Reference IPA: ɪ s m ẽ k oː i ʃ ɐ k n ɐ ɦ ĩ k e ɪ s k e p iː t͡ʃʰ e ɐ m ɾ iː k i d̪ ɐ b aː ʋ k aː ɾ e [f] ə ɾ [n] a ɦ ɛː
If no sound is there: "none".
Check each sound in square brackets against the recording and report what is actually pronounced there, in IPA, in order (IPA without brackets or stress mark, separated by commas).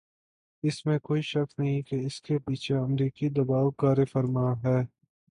f, m